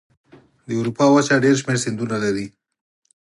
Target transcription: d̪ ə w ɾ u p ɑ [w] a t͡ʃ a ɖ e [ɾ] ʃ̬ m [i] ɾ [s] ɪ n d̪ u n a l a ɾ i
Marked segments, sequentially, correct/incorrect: correct, correct, incorrect: e, correct

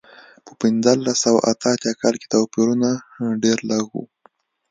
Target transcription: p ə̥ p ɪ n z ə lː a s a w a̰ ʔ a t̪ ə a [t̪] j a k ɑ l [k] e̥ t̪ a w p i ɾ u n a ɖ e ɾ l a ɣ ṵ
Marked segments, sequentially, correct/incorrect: correct, correct

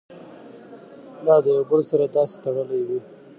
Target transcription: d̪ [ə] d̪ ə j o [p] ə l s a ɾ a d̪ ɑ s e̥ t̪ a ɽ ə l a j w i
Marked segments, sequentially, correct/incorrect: incorrect: ɑ, incorrect: b

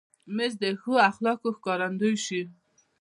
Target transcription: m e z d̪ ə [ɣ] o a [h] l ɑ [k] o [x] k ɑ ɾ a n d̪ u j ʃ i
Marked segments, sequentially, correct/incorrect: incorrect: x, incorrect: x, correct, correct

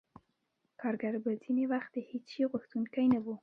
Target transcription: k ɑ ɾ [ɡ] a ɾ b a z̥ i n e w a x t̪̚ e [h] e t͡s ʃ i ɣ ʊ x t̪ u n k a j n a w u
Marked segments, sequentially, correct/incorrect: correct, correct

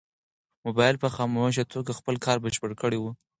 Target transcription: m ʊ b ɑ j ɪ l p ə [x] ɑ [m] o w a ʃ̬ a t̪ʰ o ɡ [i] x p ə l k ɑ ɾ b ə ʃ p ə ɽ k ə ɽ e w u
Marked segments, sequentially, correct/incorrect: correct, correct, incorrect: a

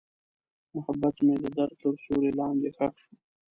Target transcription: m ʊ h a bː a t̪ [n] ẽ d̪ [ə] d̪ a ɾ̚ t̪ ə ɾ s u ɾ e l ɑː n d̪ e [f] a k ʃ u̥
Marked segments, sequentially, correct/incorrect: incorrect: m, correct, incorrect: x

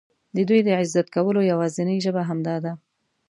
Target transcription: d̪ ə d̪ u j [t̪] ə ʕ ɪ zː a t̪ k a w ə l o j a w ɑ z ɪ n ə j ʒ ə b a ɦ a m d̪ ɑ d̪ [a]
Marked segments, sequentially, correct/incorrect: incorrect: d̪, correct

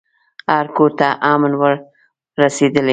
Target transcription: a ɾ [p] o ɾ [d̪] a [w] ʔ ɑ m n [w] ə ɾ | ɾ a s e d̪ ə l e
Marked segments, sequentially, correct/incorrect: incorrect: k, incorrect: t̪, incorrect: none, correct

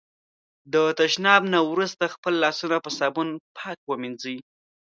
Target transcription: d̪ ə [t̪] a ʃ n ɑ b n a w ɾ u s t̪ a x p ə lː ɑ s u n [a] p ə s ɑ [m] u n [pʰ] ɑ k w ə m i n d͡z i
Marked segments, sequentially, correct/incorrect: correct, correct, incorrect: b, correct

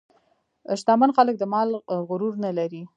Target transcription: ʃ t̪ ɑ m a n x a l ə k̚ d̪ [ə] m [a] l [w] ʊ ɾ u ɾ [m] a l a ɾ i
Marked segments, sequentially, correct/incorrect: correct, incorrect: ɑ, incorrect: ɣ, incorrect: n

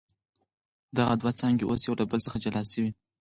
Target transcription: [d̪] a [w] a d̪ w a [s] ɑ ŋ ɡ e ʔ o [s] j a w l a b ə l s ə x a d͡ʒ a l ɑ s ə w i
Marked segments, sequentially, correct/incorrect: correct, incorrect: ɣ, incorrect: t͡s, correct

